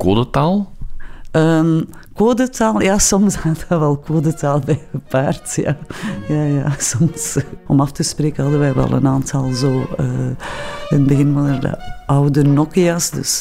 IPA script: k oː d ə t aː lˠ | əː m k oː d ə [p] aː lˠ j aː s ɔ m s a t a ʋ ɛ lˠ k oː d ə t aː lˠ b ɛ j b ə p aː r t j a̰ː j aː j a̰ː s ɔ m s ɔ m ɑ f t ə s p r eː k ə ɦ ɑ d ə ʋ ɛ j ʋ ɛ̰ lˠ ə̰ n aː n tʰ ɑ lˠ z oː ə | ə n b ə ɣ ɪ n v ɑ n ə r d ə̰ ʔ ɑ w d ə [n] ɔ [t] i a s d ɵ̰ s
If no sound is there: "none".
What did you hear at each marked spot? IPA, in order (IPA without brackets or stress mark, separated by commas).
t, n, k